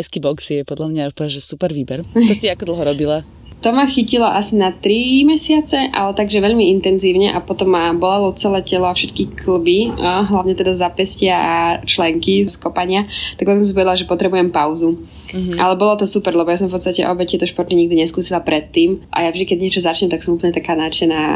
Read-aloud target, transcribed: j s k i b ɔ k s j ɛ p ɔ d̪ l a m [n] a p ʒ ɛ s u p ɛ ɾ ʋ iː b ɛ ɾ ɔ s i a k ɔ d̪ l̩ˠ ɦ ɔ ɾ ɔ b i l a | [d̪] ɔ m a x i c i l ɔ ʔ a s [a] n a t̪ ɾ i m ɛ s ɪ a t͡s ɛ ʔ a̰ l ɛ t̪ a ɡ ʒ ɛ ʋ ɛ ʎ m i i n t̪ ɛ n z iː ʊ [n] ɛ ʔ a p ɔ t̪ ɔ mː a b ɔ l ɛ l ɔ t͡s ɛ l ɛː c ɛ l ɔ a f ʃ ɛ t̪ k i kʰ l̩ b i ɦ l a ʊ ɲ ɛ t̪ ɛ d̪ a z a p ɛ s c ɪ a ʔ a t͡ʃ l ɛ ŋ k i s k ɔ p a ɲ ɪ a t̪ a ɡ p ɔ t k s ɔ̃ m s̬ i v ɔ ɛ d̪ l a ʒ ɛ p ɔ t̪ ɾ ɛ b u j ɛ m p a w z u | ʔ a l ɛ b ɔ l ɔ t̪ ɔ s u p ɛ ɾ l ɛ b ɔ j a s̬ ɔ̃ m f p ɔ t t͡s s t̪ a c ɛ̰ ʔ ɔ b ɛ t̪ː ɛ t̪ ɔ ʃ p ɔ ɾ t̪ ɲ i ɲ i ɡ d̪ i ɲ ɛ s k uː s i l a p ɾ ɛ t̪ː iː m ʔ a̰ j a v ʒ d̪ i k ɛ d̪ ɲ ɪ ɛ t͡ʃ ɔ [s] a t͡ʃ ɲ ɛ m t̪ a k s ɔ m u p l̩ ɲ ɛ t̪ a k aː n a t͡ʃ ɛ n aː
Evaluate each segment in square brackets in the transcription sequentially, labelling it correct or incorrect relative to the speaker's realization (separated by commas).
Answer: incorrect, incorrect, incorrect, incorrect, incorrect